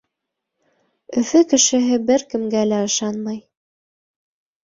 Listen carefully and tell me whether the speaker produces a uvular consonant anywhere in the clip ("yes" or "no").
no